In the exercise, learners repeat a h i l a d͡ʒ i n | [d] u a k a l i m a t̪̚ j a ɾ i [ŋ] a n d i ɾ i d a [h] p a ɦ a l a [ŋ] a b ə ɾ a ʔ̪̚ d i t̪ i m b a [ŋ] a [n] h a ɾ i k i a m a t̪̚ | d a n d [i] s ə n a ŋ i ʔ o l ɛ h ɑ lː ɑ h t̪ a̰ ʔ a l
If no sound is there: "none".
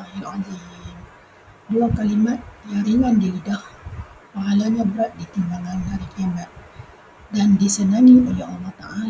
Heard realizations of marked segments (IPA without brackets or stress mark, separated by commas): d, ŋ, h, ɲ, ŋ, n, i